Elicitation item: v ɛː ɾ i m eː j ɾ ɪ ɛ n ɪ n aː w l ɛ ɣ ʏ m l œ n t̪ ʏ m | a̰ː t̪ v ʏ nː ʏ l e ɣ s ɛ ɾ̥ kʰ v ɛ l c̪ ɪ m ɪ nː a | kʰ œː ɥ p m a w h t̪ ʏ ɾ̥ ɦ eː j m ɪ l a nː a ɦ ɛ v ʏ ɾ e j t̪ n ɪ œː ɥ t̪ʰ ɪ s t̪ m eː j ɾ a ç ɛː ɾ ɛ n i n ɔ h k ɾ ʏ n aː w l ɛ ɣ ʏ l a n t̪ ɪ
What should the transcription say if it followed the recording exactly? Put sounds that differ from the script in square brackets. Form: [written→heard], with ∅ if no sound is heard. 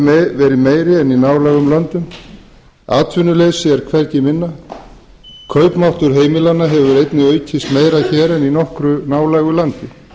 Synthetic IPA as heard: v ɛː ɾ [i→ɪ] m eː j ɾ ɪ ɛ n [ɪ→i] n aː w l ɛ ɣ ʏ m l œ n t̪ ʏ m | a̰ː t̪ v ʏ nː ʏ l e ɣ s ɛ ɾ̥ kʰ v ɛ [l→ɾ] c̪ ɪ m ɪ nː a | kʰ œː ɥ p m a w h t̪ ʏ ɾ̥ ɦ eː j m ɪ l a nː a ɦ ɛ v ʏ ɾ e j t̪ n ɪ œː ɥ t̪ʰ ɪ s t̪ m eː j ɾ a ç ɛː ɾ ɛ n i n ɔ h k ɾ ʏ n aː w l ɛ ɣ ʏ l a n t̪ ɪ